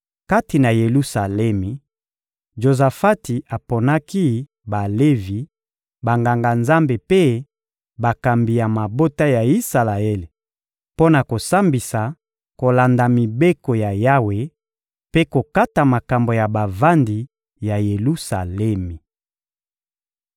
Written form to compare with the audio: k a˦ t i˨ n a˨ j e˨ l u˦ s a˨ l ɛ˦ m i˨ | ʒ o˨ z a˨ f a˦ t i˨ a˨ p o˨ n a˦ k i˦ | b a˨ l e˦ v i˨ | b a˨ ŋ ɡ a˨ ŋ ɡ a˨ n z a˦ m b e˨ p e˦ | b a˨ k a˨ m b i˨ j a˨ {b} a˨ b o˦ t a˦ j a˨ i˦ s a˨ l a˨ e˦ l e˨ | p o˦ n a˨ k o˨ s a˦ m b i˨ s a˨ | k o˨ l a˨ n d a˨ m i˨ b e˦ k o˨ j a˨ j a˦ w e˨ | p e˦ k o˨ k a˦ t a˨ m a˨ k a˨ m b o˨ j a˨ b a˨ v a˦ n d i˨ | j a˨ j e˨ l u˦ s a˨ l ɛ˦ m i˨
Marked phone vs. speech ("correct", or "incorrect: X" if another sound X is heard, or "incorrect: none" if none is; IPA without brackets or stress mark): incorrect: m